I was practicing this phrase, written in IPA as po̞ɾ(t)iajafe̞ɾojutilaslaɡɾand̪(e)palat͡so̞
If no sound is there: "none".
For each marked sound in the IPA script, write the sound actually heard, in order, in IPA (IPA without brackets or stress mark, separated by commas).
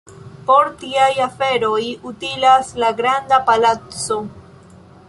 t, a